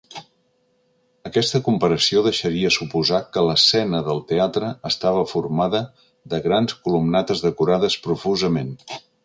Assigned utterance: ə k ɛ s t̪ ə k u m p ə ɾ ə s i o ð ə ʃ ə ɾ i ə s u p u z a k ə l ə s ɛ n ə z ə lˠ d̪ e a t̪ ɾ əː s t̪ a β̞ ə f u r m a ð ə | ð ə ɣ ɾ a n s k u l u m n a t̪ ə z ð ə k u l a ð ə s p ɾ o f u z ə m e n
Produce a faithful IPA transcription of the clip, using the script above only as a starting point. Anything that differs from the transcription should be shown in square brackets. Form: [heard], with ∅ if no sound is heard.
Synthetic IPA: ə k ɛ s t̪ ə k u m p ə ɾ ə s i o ð ə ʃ ə ɾ i ə s u p u z a k ə l ə s ɛ n ə [ð] ə lˠ [t̪] e a t̪ ɾ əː s t̪ a β̞ ə f u r m a ð ə | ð ə ɣ ɾ a n s k u l u m n a t̪ ə z ð ə k u [ɾ] a ð ə s p ɾ [u] f u z ə m e n